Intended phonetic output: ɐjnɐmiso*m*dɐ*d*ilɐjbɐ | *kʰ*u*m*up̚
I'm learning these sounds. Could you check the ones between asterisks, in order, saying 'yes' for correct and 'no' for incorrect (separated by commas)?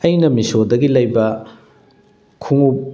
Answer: no, no, yes, no